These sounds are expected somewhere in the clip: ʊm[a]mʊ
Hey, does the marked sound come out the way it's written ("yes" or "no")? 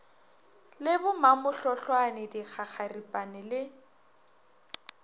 yes